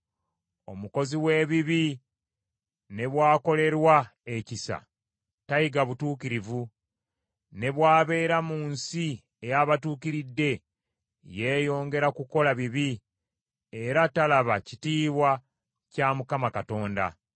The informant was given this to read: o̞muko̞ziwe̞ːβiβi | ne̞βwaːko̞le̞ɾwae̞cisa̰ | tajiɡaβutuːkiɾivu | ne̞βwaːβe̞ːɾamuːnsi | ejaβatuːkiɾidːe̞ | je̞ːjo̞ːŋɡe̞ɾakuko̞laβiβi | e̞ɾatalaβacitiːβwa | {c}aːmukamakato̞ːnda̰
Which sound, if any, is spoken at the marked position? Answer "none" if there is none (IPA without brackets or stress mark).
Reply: c